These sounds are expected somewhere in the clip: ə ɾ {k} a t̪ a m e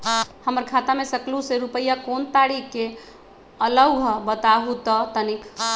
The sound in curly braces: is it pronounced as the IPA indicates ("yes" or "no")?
no